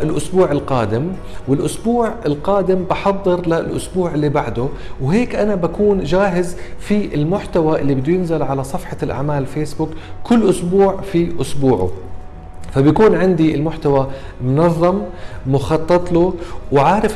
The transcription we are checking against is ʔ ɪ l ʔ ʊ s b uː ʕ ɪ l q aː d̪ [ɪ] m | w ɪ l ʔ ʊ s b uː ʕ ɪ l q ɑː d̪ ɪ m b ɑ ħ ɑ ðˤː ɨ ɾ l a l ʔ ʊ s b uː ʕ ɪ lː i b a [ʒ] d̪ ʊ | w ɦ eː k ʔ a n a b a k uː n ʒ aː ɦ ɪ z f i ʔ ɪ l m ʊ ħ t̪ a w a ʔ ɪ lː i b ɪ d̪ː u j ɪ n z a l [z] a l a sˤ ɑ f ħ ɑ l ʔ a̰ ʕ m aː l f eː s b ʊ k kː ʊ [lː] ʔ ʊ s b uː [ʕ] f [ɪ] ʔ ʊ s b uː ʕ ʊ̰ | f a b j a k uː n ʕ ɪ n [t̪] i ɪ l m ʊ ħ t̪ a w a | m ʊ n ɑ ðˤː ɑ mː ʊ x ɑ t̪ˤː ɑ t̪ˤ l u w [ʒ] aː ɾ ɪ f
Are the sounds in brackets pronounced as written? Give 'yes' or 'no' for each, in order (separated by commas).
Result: yes, no, no, yes, yes, no, no, no